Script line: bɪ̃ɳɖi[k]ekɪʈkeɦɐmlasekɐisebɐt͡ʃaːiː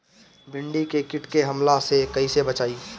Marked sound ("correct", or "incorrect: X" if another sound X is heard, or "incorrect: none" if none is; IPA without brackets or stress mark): correct